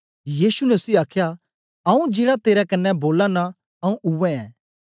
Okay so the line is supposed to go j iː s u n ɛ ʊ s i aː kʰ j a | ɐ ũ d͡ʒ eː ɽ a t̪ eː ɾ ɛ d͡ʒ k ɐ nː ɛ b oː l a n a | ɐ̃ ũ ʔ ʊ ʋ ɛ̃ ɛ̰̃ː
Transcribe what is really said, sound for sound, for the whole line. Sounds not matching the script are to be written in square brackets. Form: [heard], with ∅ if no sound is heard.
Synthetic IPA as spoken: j iː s u n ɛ ʊ s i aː kʰ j a | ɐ ũ d͡ʒ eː ɽ a t̪ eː ɾ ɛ [∅] k ɐ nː ɛ b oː l a n a | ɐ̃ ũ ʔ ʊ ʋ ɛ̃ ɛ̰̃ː